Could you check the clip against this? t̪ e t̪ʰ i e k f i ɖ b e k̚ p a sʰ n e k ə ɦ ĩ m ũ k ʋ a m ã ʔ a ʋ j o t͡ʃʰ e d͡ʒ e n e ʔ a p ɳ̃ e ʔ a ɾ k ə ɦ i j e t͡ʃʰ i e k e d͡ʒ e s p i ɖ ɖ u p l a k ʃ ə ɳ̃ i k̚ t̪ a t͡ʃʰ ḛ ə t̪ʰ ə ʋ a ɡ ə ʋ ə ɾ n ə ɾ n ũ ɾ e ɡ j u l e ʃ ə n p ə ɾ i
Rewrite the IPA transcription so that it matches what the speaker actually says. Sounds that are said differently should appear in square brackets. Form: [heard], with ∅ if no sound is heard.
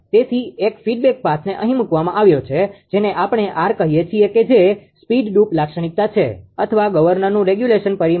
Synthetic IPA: t̪ e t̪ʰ i e k f i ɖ b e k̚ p a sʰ n e [ʔ] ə ɦ ĩ m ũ k ʋ a m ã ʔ a ʋ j o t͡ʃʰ e d͡ʒ e n e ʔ a p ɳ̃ e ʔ a ɾ k ə ɦ i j e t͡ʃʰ i e k e d͡ʒ e s p i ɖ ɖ u p l a k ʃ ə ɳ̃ i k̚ t̪ a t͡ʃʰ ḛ ə t̪ʰ ə ʋ a ɡ ə ʋ ə ɾ n ə ɾ n ũ ɾ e ɡ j u l e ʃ ə n p ə ɾ i